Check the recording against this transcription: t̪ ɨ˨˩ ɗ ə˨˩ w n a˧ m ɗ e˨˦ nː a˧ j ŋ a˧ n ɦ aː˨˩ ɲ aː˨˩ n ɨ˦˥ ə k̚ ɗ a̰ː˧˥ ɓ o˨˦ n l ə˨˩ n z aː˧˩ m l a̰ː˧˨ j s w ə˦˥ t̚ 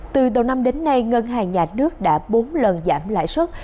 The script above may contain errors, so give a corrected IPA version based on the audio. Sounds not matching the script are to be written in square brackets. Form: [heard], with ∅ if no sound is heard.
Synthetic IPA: t̪ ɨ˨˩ ɗ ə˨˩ w n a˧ m ɗ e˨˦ nː a˧ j ŋ [ə˧] n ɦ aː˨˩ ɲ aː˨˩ n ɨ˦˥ ə k̚ ɗ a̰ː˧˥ ɓ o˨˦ n l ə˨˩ n z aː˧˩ m l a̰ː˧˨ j s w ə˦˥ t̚